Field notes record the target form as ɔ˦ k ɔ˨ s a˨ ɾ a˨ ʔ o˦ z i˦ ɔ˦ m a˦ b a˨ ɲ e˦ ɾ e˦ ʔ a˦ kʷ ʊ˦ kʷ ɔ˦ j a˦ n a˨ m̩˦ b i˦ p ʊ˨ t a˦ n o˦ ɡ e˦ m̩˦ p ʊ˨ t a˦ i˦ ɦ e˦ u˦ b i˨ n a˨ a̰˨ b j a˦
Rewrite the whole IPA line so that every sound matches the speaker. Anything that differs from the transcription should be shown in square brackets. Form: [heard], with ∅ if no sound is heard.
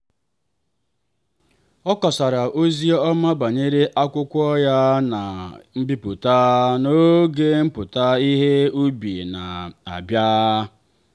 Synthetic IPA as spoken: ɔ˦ k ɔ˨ s a˨ ɾ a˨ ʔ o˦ z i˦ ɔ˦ m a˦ b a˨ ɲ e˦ ɾ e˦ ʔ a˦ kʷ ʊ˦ kʷ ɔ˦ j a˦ n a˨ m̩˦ b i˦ p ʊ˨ t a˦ n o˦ ɡ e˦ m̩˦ p ʊ˨ t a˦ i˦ ɦ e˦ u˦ b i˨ n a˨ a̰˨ b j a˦